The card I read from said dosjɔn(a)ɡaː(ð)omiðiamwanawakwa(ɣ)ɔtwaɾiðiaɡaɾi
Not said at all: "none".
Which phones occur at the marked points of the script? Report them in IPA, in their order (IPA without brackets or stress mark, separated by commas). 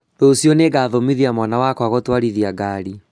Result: e, ð, ɣ